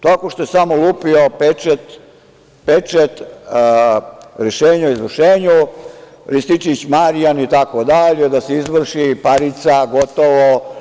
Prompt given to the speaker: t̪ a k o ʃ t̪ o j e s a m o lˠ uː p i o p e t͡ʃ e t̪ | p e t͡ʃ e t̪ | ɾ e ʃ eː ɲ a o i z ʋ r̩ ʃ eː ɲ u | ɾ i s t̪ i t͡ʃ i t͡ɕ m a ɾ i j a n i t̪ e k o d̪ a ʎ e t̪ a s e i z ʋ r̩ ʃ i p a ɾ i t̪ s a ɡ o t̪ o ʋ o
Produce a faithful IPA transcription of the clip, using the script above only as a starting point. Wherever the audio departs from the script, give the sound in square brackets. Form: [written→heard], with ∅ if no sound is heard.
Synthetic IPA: t̪ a k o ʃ t̪ o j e s a m o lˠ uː p i o p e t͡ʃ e t̪ | p e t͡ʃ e t̪ | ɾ e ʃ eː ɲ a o i z ʋ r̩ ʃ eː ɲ u | ɾ i s t̪ i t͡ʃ i t͡ɕ m a ɾ i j a n i t̪ [e→a] k o d̪ a ʎ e [t̪→d̪] a s e i z ʋ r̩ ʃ i p a ɾ i t̪ s a ɡ o t̪ o ʋ o